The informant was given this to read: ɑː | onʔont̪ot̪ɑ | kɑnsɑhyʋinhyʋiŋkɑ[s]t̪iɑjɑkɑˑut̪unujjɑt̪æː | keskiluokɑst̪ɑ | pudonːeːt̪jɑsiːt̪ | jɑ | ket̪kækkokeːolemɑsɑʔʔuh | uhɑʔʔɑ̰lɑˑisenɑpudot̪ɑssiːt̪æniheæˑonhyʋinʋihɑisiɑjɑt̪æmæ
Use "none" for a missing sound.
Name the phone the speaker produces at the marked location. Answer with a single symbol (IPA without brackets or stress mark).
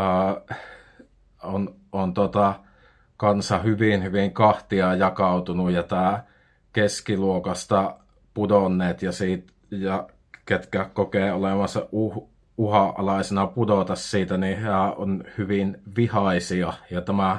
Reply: h